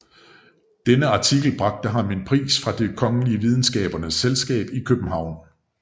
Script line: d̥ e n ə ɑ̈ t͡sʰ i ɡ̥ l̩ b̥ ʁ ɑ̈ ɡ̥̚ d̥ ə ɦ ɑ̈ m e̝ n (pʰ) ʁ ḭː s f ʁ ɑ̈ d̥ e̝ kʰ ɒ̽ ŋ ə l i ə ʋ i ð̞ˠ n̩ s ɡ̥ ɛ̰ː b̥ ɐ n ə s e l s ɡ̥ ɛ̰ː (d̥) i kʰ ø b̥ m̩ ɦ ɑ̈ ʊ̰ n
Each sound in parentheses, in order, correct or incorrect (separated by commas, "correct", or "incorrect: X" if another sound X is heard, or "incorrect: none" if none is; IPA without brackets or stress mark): correct, incorrect: b̥